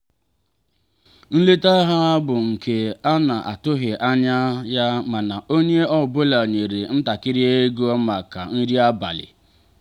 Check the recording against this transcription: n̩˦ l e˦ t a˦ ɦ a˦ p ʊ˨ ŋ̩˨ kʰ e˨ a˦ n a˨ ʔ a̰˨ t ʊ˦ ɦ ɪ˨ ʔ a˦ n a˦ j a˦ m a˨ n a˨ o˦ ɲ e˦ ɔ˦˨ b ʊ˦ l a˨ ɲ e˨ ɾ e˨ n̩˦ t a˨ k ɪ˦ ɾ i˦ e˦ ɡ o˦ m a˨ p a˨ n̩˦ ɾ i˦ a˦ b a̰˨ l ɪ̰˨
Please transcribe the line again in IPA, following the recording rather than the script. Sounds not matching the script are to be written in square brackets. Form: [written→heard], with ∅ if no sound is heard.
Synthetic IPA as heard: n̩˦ l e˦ t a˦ ɦ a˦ [p→b] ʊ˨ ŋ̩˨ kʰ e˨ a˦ n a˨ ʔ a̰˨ t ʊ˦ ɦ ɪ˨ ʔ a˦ [n→ɲ] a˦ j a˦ m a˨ n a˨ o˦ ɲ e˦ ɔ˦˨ b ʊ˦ l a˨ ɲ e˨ ɾ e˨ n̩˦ t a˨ k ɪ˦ ɾ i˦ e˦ ɡ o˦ m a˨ [p→k] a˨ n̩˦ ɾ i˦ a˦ b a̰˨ l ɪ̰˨